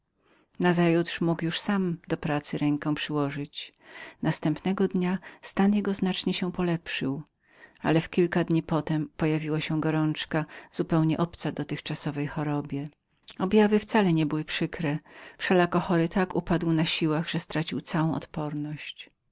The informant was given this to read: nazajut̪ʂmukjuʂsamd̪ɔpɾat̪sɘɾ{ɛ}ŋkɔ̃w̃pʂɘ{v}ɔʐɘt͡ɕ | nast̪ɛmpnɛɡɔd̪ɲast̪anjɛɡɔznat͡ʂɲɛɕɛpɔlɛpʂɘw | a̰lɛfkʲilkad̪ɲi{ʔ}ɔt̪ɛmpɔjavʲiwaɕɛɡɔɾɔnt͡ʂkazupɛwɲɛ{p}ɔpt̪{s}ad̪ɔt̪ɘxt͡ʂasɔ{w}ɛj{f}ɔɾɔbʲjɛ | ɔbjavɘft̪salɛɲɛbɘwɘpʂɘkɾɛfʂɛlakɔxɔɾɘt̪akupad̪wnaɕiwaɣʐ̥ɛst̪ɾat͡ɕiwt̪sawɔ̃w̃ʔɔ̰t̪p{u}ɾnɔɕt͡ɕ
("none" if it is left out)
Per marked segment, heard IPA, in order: ɛ, w, p, ʔ, s, v, x, ɔ

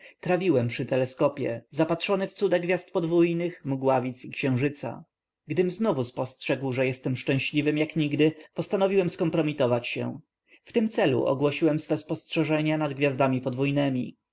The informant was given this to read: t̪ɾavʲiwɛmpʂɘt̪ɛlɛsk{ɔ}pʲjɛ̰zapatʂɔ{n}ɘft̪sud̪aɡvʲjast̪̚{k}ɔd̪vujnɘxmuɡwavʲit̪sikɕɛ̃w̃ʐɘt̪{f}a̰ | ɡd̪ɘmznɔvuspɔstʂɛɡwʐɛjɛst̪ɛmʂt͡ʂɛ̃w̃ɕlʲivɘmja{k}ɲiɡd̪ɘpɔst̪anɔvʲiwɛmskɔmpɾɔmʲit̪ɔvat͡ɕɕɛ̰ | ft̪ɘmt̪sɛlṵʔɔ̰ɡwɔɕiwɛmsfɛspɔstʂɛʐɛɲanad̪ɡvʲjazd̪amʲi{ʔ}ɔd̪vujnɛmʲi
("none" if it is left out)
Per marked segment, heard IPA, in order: ɔ, n, p, s, k, p

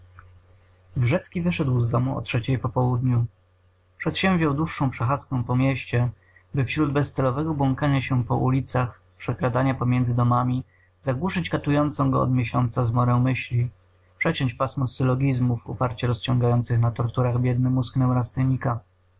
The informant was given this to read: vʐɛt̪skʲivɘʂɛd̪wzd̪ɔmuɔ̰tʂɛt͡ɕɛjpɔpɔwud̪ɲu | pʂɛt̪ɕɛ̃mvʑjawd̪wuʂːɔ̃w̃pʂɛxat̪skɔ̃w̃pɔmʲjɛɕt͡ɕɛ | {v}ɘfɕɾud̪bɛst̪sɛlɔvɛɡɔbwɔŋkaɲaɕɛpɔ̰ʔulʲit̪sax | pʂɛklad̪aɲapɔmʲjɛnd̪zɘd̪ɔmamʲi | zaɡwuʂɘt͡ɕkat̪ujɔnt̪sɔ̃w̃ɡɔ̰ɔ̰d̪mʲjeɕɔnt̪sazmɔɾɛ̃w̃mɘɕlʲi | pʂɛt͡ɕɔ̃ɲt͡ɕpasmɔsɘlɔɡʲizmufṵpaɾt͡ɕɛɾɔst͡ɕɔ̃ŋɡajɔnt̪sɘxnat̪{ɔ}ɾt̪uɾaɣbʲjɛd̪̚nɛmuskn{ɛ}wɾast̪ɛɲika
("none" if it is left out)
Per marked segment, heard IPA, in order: b, ɔ, ɛ

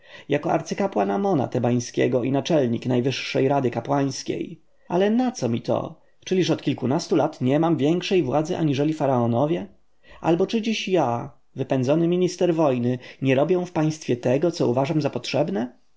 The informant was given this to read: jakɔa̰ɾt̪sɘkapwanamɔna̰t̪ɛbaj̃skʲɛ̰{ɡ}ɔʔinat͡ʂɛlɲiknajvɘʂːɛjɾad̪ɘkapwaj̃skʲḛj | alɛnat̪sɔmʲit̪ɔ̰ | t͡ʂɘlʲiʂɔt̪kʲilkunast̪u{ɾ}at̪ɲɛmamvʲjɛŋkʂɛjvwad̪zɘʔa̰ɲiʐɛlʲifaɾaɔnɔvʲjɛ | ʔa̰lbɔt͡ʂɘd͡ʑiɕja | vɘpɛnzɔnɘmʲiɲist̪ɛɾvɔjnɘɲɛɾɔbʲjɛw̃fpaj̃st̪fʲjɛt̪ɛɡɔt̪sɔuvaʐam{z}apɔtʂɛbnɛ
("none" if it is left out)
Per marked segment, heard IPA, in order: ɡ, l, z

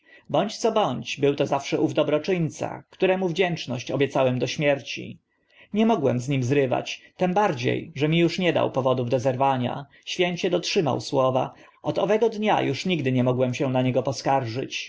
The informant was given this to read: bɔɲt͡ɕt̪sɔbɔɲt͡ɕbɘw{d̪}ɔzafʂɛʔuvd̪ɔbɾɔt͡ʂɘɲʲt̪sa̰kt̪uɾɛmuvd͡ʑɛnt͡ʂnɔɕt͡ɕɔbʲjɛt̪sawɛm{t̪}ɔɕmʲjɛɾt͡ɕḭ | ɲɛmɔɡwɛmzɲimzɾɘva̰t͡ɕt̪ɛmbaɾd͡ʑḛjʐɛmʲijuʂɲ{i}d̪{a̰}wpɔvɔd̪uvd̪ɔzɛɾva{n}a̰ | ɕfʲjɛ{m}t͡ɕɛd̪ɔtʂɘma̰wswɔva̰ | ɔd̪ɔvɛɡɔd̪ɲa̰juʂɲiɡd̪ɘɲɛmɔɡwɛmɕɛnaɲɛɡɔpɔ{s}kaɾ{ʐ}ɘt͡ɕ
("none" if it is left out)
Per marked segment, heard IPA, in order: t̪, d̪, ɛ, a̰, ɲ, ɲ, s, ʐ

